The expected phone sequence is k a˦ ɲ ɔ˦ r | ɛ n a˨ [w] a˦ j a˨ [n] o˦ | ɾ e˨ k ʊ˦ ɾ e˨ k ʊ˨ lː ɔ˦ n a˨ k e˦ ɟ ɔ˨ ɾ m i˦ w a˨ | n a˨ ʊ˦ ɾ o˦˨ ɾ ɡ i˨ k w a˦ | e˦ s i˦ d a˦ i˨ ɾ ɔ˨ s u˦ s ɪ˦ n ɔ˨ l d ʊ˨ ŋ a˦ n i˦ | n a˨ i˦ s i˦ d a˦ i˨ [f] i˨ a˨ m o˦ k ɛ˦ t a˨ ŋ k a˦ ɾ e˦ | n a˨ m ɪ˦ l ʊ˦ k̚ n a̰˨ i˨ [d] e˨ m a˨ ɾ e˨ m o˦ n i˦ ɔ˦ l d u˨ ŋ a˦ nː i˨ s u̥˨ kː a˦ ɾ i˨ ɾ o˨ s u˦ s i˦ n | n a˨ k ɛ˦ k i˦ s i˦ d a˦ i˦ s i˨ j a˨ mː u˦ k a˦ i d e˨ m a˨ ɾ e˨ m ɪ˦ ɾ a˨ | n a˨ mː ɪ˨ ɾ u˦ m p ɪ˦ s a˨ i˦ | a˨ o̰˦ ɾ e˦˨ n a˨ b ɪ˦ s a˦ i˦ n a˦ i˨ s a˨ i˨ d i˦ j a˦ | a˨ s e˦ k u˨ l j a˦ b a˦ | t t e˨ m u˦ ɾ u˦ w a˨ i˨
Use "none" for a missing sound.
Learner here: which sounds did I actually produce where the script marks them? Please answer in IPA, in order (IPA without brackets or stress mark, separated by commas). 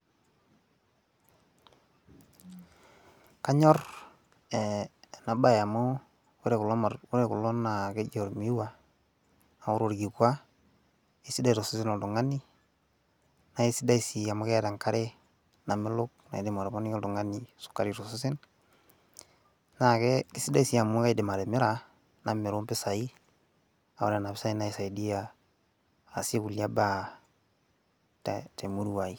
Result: b, m, s, d